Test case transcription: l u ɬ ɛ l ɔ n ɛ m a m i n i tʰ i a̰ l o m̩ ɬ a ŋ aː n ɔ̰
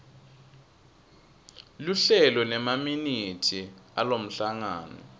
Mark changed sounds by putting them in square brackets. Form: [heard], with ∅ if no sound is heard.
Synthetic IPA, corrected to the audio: l u ɬ ɛ l ɔ n ɛ m a m i n i tʰ i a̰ l o m̩ ɬ a ŋ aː n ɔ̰

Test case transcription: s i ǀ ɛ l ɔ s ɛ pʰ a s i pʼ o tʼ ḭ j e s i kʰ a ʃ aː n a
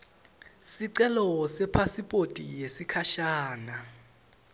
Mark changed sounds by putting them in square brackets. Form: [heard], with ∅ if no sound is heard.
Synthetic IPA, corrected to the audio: s i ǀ ɛ l ɔ s ɛ pʰ a s i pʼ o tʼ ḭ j e s i kʰ a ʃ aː n a

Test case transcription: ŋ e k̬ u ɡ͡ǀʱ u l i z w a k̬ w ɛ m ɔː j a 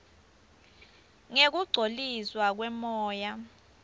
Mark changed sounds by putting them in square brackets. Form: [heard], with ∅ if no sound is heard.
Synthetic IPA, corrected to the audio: ŋ e k̬ u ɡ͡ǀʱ [o] l i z w a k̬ w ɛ m ɔː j a

